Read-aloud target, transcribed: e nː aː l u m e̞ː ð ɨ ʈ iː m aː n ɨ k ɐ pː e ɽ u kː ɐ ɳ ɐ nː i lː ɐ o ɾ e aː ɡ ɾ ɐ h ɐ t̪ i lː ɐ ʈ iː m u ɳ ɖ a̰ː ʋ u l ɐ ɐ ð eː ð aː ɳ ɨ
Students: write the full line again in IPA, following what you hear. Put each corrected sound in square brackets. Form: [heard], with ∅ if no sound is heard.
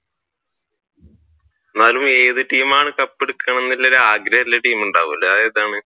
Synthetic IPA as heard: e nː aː l u m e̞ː ð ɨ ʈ iː m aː [ɳ] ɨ k ɐ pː e ɽ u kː ɐ ɳ ɐ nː i lː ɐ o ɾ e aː ɡ ɾ ɐ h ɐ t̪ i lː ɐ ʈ iː m u ɳ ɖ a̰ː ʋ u l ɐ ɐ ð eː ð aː ɳ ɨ